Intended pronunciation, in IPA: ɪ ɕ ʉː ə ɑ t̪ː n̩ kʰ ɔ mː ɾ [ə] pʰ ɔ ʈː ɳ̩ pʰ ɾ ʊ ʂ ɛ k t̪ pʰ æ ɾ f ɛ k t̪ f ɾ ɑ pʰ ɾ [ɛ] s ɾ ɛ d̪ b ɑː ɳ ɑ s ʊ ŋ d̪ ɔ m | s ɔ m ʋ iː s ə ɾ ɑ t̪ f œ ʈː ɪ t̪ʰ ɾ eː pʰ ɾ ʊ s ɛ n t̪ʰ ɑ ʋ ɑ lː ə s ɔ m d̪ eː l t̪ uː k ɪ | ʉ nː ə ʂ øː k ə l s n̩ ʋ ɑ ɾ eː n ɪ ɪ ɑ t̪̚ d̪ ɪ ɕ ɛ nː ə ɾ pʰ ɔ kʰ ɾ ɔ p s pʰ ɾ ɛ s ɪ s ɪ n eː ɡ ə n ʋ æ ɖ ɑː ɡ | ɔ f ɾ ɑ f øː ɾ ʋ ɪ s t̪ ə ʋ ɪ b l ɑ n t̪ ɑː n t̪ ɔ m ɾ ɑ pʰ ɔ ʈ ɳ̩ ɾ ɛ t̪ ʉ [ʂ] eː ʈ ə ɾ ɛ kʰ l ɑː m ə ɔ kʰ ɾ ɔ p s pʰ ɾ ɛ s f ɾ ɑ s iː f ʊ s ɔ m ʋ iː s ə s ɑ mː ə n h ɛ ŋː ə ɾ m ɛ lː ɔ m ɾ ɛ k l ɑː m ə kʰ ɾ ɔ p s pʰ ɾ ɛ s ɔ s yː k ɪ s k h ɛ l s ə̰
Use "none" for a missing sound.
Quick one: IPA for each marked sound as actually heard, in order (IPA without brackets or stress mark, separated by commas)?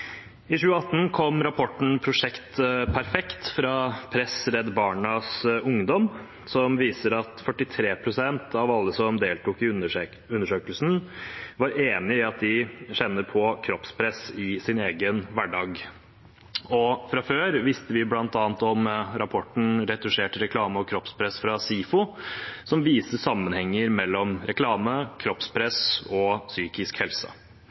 ɑ, ɛ, ʂ